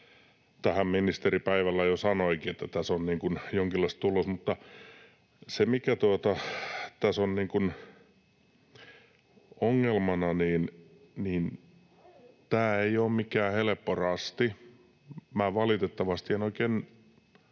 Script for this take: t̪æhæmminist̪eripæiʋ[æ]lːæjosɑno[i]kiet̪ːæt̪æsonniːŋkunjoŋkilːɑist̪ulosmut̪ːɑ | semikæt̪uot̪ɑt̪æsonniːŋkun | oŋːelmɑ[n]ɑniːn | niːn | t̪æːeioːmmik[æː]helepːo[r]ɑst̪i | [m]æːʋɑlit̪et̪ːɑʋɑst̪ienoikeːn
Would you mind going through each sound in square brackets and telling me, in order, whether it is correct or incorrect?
correct, correct, correct, correct, correct, correct

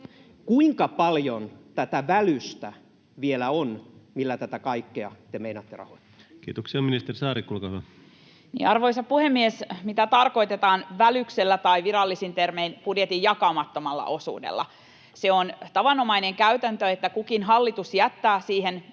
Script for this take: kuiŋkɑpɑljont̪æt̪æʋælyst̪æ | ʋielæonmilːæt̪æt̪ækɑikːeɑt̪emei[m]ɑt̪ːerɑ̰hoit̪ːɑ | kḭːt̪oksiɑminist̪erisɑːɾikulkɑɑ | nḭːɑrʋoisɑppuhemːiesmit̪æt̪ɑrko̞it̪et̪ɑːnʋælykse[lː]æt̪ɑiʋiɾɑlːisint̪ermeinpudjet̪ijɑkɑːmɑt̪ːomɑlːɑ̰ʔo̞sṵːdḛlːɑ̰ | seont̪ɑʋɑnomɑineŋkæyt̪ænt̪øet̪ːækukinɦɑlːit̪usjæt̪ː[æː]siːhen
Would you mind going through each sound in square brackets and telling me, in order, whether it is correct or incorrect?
incorrect, correct, correct

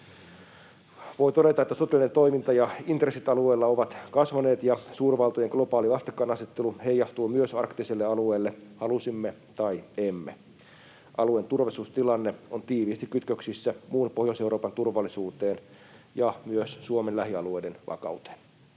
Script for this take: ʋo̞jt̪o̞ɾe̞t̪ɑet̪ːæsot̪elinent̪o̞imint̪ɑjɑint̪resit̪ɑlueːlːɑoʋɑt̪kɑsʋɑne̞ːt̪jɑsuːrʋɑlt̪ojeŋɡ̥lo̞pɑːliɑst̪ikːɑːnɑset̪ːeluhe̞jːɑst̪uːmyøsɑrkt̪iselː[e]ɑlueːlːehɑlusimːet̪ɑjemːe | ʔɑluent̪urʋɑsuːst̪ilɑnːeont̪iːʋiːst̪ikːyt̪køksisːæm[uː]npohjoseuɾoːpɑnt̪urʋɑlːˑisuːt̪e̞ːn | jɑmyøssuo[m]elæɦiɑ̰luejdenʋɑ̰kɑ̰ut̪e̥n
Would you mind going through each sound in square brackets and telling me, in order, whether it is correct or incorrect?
correct, correct, correct

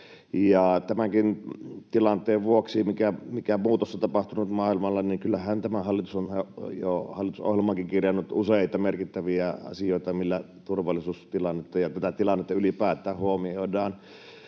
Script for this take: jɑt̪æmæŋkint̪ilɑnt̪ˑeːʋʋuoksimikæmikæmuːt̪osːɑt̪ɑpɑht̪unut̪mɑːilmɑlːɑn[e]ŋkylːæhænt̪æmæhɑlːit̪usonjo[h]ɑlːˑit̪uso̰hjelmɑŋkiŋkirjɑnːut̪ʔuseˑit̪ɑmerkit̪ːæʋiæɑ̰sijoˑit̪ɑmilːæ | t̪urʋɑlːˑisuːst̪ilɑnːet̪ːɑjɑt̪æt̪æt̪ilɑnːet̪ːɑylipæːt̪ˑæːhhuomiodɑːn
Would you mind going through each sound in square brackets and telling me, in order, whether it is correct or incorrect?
incorrect, correct

